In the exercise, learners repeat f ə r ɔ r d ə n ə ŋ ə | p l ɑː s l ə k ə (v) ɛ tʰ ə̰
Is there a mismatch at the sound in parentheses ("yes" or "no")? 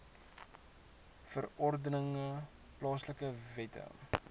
no